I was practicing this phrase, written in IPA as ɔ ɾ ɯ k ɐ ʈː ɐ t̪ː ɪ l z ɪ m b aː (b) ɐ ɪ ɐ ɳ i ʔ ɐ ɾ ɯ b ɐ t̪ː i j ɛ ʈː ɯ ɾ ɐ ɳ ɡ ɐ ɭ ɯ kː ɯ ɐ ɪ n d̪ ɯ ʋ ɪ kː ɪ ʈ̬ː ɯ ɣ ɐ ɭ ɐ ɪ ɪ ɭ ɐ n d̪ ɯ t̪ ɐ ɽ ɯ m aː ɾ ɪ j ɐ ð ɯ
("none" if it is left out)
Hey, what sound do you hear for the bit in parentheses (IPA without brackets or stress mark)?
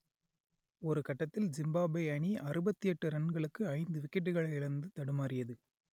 b